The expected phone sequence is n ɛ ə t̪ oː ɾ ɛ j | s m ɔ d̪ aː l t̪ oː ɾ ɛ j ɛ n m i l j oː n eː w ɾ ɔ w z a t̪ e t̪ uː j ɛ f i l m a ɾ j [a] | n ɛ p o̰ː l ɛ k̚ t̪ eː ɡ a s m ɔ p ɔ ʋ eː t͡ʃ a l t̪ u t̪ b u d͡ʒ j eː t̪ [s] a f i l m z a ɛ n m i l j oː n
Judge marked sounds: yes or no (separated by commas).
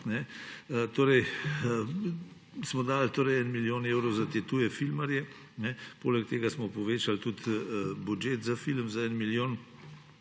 no, no